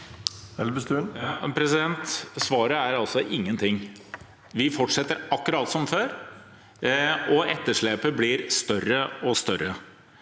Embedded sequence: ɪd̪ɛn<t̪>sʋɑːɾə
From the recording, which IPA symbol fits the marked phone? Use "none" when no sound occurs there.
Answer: t̪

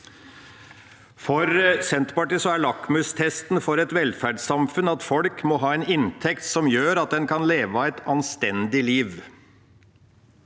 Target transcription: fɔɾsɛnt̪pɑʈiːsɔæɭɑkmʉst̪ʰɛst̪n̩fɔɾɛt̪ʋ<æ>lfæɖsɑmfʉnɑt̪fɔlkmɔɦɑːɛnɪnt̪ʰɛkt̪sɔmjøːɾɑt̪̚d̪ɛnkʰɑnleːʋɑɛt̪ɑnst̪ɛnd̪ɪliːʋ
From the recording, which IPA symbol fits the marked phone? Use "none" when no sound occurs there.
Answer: ɛ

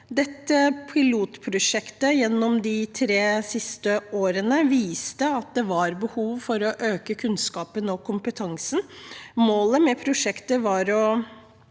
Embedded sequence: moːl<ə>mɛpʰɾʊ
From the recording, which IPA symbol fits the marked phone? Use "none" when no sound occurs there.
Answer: ə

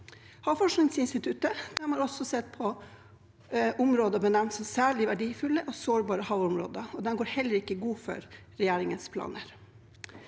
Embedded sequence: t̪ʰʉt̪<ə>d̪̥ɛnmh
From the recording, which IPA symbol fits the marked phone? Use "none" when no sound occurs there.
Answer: ə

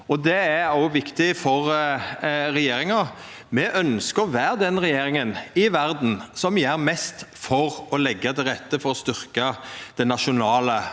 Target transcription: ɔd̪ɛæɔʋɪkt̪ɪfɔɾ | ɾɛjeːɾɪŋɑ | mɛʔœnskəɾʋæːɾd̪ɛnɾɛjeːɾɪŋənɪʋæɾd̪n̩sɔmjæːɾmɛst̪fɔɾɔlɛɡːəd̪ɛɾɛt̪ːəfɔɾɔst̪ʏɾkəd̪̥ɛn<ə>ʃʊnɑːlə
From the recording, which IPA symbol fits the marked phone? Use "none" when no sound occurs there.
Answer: ɑ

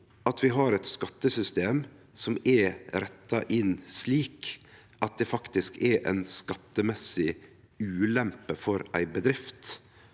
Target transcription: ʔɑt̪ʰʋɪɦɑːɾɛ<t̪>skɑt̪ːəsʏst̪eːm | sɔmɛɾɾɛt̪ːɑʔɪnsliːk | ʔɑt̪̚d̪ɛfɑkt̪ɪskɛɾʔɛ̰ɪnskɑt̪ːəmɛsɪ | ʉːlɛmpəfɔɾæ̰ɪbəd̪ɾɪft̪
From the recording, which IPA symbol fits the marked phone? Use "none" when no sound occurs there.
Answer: t̪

